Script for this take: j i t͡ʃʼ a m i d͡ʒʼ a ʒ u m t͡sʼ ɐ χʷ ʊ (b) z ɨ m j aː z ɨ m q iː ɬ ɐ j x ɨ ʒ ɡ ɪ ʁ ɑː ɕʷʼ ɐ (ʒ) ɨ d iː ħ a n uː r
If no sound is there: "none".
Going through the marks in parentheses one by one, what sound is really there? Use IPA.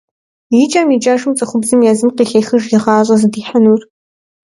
b, z

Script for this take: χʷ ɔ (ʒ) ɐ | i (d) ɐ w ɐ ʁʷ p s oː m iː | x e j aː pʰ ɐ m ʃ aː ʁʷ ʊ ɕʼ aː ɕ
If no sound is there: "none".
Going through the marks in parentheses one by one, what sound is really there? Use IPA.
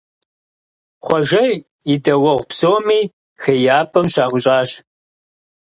ʒ, d

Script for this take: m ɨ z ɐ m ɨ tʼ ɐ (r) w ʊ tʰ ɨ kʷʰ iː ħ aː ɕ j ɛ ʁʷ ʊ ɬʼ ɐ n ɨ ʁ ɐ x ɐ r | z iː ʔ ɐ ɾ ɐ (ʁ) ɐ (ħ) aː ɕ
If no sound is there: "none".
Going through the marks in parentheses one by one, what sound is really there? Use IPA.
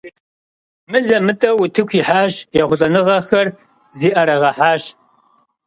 none, ʁ, ħ

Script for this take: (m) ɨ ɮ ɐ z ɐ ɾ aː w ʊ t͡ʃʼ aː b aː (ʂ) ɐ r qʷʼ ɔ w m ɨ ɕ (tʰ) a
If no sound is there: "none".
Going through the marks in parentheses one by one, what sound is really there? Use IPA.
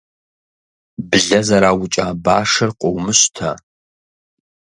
b, ʂ, tʰ

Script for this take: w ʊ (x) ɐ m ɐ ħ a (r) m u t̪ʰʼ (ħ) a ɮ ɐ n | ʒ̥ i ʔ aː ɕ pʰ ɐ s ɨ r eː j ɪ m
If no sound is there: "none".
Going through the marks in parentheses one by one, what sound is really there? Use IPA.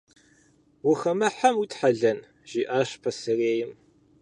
x, none, ħ

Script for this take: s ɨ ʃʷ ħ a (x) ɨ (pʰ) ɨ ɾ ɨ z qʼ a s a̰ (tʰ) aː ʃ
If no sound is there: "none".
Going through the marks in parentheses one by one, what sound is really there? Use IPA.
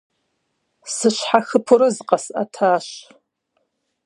x, pʰ, tʰ

